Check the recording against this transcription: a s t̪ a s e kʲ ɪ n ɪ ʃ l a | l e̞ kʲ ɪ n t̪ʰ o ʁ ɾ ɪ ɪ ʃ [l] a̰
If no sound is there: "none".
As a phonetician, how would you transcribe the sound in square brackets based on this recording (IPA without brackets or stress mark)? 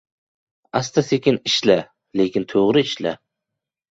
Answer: l